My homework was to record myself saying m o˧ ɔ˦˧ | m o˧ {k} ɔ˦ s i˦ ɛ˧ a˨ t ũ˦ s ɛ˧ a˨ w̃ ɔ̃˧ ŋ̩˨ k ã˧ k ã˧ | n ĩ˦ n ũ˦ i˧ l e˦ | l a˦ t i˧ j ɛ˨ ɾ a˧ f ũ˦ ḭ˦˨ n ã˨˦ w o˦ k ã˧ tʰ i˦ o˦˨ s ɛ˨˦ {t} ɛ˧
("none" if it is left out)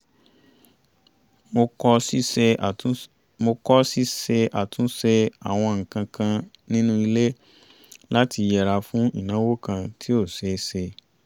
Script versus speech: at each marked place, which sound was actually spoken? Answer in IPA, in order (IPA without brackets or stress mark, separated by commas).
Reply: k, s